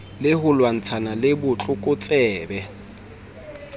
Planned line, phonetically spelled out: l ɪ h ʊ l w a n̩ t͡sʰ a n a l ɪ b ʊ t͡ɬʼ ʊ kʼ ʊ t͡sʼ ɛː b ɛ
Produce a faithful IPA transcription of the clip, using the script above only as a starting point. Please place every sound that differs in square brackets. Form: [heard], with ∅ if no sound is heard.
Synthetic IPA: l ɪ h ʊ l w a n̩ t͡sʰ a n a l ɪ b ʊ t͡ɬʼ ʊ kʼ ʊ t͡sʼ ɛː b ɛ